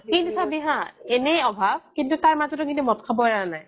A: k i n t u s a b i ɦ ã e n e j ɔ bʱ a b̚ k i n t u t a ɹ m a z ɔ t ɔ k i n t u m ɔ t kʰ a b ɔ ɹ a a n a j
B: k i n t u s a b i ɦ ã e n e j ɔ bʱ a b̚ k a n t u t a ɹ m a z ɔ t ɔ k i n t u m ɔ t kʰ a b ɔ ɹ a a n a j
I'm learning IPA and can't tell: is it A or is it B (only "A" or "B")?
A